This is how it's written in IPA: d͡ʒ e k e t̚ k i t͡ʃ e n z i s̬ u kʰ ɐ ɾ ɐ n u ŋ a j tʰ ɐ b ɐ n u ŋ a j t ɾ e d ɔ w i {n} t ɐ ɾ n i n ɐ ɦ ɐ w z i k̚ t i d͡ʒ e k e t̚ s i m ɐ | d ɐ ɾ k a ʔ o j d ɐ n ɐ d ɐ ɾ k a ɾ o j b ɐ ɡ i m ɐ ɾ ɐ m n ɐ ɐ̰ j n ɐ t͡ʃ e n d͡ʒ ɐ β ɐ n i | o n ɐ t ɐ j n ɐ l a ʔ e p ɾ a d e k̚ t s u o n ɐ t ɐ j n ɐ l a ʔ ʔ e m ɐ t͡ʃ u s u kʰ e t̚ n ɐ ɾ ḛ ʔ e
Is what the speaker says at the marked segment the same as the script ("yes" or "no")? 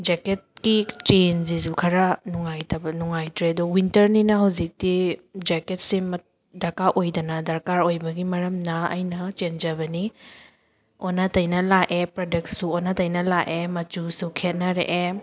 yes